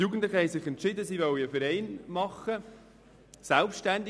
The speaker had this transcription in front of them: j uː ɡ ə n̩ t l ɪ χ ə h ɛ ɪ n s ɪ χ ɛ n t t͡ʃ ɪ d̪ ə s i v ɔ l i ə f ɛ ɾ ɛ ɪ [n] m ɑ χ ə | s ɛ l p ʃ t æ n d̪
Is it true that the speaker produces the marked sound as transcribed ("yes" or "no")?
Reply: yes